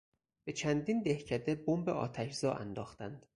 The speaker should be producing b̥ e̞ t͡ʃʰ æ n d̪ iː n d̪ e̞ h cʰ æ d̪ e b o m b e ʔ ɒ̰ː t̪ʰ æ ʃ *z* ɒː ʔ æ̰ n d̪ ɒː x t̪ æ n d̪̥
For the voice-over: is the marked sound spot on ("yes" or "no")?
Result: yes